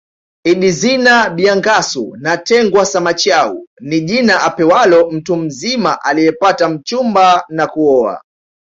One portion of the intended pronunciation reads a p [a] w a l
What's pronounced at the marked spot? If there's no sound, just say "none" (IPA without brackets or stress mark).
ɛ